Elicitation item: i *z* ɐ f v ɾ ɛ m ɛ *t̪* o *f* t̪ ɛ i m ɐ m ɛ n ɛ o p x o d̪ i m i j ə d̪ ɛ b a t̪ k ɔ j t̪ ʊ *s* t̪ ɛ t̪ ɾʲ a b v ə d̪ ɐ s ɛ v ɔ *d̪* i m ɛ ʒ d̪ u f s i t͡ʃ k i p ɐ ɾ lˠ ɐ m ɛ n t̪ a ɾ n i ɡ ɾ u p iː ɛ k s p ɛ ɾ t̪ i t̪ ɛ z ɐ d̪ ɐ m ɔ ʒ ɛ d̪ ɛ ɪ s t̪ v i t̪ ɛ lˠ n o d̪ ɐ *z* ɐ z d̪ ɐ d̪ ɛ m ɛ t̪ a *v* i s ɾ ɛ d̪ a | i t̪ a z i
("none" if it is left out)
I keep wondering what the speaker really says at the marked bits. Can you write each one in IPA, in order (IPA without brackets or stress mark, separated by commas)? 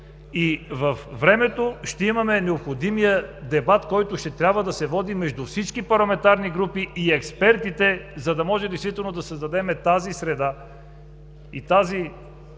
v, t̪, ʃ, ʃ, d̪, s, z